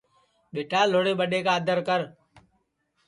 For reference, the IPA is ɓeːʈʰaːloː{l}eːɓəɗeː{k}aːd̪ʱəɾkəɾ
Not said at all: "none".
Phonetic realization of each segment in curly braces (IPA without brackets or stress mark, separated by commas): ɽ, k